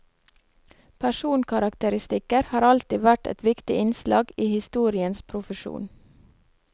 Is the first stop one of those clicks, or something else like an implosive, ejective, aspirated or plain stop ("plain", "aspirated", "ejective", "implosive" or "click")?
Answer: aspirated